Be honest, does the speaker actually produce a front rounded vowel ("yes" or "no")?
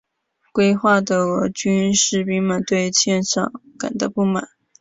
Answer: yes